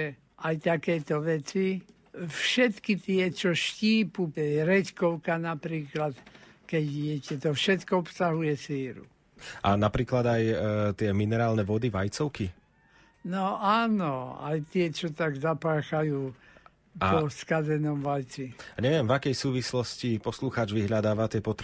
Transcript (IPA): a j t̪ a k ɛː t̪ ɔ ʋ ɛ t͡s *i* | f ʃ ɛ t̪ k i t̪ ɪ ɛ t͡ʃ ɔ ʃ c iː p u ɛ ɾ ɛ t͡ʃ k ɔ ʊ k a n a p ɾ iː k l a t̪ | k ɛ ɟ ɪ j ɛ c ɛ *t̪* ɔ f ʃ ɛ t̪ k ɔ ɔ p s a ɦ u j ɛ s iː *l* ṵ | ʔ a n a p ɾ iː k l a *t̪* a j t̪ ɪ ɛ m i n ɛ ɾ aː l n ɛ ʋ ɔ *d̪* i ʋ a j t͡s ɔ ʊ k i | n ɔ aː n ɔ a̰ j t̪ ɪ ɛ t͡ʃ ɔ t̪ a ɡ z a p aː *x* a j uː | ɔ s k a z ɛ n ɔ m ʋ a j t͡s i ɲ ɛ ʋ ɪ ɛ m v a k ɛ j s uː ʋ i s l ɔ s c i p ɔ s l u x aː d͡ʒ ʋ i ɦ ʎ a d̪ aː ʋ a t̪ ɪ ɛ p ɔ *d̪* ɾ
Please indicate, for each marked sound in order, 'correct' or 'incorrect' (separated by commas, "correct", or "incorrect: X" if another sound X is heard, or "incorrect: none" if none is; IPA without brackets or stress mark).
correct, correct, incorrect: ɾ, incorrect: d̪, correct, correct, incorrect: t̪